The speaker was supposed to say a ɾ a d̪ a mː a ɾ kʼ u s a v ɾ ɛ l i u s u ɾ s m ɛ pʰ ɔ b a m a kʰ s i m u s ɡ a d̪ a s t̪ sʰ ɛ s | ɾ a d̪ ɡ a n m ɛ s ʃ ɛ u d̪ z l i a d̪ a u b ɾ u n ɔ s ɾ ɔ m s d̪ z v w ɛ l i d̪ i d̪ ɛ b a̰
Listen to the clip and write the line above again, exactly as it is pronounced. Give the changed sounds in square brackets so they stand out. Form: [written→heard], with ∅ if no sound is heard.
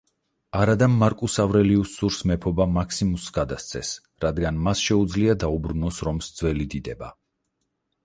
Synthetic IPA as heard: a ɾ a d̪ a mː a ɾ kʼ u s a v ɾ ɛ l i u s u ɾ s m ɛ pʰ ɔ b a m a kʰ s i m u s ɡ a d̪ a s t̪ sʰ ɛ s | ɾ a d̪ ɡ a n m [ɛ→a] s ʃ ɛ u d̪ z l i a d̪ a u b ɾ u n ɔ s ɾ ɔ m s d̪ z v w ɛ l i d̪ i d̪ ɛ b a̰